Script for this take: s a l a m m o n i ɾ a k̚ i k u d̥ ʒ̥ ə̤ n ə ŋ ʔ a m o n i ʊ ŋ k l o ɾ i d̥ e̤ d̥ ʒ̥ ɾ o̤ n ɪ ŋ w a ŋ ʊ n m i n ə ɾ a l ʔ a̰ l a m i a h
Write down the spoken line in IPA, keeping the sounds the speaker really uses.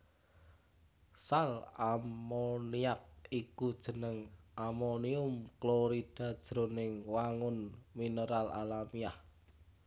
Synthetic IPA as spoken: s a l a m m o n i a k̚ i k u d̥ ʒ̥ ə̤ n ə ŋ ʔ a m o n i ʊ m k l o ɾ i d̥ a̤ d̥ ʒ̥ ɾ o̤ n ɪ ŋ w a ŋ ʊ n m i n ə ɾ a l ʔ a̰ l a m i a h